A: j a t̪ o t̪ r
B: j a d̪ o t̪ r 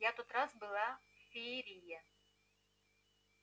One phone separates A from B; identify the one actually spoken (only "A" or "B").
A